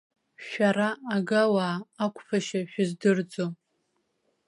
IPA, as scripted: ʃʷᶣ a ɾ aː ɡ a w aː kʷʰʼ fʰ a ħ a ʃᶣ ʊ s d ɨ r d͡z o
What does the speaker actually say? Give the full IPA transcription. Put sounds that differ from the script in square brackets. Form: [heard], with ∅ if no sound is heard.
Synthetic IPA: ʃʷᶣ a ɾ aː ɡ a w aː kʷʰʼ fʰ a [ʃ] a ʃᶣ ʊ [z] d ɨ r d͡z o